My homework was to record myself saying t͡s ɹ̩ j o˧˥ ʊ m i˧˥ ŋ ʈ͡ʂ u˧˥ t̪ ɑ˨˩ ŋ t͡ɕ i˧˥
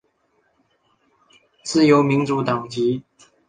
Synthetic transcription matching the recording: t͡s ɹ̩ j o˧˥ ʊ m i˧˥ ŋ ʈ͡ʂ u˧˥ t̪ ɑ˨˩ ŋ t͡ɕ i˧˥